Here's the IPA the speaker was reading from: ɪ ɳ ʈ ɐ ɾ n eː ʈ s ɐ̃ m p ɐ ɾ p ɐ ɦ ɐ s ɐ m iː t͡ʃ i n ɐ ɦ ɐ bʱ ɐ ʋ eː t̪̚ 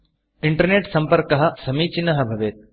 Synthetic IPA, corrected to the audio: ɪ ɳ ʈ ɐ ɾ n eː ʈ s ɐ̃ m p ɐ ɾ k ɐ ɦ ɐ s ɐ m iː t͡ʃ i n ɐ ɦ ɐ bʱ ɐ ʋ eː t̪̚